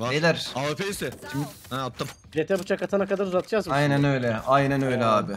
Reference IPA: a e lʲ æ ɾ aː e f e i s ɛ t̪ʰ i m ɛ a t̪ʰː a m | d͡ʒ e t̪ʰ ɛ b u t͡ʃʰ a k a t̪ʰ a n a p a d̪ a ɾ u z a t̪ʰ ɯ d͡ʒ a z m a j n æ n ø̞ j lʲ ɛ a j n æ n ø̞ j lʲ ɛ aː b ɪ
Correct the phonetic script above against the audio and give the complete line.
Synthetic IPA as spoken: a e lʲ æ ɾ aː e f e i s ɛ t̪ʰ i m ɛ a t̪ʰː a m | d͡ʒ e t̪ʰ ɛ b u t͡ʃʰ a k a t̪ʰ a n a k a d̪ a ɾ u z a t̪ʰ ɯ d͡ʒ a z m a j n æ n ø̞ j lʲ ɛ a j n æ n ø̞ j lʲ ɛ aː b ɪ